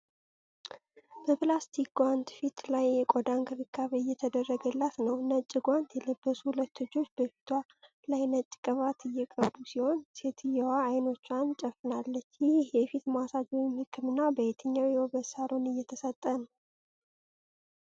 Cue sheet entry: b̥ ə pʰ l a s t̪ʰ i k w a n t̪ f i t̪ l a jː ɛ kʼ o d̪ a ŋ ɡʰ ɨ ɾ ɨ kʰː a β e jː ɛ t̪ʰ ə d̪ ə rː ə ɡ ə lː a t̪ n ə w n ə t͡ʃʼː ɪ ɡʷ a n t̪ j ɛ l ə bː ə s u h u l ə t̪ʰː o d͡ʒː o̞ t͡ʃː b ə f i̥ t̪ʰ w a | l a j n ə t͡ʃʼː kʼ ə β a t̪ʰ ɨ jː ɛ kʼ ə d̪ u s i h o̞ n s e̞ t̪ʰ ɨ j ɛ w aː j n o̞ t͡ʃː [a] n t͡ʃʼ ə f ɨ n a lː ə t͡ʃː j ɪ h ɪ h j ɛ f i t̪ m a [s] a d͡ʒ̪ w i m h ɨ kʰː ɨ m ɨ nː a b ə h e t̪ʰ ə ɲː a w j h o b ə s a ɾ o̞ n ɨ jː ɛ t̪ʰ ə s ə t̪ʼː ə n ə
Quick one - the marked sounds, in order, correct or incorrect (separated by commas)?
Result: correct, correct